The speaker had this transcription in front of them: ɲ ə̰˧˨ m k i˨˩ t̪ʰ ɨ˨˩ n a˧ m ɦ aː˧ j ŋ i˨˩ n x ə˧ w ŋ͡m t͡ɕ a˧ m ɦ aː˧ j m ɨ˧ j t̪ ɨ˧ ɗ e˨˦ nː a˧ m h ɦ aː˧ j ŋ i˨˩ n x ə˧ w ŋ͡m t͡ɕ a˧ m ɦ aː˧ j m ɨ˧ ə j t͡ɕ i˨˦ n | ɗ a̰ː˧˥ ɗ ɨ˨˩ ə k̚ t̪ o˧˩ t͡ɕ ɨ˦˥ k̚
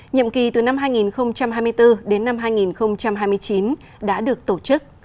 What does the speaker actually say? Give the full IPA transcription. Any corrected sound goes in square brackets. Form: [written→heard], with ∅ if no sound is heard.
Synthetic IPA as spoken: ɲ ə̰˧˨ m k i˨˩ [t̪ʰ→t̪] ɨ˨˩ n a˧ m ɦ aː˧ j ŋ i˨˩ n x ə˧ w ŋ͡m t͡ɕ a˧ m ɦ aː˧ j m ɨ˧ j t̪ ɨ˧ ɗ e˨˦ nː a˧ m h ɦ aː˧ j ŋ i˨˩ n x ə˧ w ŋ͡m t͡ɕ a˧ m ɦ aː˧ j m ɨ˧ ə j t͡ɕ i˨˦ n | ɗ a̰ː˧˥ ɗ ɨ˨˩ ə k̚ t̪ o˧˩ t͡ɕ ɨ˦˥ k̚

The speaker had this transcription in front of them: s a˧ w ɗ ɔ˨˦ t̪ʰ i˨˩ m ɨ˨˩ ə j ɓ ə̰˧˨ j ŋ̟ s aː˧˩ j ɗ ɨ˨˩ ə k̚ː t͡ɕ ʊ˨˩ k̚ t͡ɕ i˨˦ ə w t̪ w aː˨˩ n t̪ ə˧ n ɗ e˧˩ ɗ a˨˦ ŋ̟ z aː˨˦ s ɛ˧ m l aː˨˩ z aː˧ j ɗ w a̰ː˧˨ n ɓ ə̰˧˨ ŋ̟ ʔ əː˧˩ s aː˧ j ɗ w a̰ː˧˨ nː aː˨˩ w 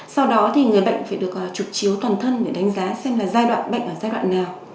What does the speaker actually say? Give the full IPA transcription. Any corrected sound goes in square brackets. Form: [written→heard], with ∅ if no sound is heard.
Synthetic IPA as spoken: s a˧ w ɗ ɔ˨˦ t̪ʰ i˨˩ [m→ŋ] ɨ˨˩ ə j ɓ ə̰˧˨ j ŋ̟ [s→f] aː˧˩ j ɗ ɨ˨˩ ə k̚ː t͡ɕ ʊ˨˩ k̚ t͡ɕ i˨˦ ə w t̪ w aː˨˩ n [t̪→t̪ʰ] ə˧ n ɗ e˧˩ ɗ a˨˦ ŋ̟ z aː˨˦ s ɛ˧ m l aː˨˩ z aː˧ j ɗ w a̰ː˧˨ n ɓ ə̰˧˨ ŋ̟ ʔ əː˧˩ [s→z] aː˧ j ɗ w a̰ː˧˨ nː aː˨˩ w

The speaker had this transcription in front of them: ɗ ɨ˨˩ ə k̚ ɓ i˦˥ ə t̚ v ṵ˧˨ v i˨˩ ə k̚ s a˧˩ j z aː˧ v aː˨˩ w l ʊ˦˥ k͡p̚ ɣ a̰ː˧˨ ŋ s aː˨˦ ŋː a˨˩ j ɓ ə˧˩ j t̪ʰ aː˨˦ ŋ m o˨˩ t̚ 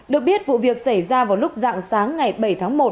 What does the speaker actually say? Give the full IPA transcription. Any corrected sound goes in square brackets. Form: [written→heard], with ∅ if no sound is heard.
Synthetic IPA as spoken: ɗ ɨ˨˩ ə k̚ ɓ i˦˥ ə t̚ v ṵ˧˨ v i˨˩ ə k̚ s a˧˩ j z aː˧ v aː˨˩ w l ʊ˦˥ k͡p̚ [ɣ→z] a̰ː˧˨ ŋ s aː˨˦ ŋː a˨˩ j ɓ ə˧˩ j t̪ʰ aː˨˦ ŋ m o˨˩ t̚

